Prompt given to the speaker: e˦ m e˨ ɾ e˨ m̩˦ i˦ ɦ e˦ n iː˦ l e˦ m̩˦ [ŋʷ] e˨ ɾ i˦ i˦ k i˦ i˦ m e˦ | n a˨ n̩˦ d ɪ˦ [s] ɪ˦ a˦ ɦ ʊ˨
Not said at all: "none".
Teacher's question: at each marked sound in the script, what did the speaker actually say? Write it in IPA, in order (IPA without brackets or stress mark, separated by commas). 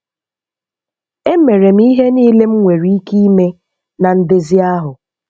ŋʷ, z